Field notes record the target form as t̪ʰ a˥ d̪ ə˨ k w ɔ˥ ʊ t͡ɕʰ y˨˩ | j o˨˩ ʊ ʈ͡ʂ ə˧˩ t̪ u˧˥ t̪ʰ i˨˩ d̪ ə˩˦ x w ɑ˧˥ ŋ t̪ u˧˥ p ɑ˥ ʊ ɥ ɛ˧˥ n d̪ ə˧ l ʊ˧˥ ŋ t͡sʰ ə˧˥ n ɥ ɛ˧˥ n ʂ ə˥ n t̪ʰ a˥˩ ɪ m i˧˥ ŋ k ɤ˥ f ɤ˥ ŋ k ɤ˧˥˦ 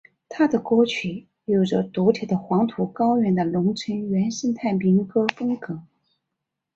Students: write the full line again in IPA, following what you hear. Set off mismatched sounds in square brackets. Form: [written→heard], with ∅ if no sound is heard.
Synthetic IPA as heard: t̪ʰ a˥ d̪ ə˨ k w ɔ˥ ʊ t͡ɕʰ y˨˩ | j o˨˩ ʊ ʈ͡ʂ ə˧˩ t̪ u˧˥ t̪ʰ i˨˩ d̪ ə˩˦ x w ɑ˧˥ ŋ [t̪→t̪ʰ] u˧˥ [p→k] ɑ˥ ʊ ɥ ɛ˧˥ n d̪ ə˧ l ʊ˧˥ ŋ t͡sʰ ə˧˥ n ɥ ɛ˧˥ n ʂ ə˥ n t̪ʰ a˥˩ ɪ m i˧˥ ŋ k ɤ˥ f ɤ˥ ŋ k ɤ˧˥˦